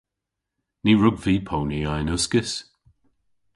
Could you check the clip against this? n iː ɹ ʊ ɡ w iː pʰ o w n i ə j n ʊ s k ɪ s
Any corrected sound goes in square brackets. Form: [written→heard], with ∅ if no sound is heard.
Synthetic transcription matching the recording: n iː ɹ ʊ ɡ [w→v] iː pʰ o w n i [ə→a] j n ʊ s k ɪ s